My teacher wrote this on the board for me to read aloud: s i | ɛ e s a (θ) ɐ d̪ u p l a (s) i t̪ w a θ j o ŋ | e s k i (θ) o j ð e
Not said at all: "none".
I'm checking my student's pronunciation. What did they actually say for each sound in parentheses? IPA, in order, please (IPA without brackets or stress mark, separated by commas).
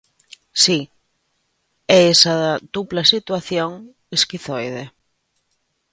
ð, s, θ